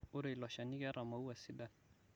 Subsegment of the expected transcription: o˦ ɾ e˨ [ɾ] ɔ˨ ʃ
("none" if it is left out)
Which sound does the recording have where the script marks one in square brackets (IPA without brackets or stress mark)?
l